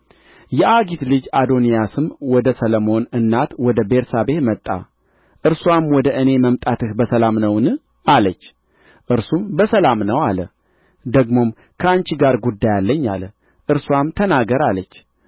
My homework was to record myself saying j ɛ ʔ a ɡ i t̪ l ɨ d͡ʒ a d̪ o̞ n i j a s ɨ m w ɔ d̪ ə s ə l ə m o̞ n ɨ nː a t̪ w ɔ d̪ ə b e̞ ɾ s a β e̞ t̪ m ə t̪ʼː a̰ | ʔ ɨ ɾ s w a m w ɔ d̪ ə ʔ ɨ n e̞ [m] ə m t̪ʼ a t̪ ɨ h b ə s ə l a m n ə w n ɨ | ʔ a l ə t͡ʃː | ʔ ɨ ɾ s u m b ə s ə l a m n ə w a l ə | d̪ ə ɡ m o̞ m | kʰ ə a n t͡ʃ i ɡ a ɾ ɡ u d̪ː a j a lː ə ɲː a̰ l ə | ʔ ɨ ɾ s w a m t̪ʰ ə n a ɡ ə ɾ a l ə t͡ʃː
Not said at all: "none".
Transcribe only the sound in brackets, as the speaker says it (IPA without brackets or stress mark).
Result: m